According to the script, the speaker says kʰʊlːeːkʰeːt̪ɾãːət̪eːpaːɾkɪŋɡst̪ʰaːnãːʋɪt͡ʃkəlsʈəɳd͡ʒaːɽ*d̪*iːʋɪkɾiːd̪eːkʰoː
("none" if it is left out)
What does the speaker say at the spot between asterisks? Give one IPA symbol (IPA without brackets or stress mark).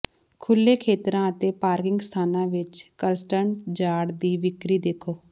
d̪